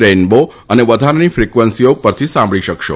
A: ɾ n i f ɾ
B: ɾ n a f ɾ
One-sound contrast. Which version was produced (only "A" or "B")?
A